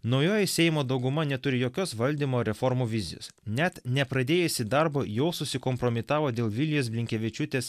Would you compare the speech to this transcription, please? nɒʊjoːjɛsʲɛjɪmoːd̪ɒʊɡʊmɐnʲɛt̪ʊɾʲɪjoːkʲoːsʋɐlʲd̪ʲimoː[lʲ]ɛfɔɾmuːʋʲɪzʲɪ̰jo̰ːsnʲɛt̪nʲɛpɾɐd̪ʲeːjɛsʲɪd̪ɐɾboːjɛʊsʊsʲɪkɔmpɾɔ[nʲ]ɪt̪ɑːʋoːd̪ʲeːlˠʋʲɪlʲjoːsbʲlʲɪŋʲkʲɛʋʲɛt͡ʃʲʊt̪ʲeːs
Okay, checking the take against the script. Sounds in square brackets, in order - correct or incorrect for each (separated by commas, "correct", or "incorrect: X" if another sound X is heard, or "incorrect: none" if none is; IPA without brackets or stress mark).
incorrect: ɾʲ, incorrect: mʲ